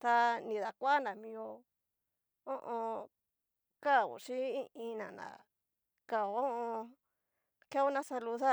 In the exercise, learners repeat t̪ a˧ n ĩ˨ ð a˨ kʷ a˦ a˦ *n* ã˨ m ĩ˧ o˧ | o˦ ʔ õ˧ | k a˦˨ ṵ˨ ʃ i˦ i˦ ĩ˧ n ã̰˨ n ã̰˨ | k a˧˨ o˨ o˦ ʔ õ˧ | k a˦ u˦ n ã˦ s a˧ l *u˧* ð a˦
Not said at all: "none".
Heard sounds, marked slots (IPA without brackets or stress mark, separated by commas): n, u˧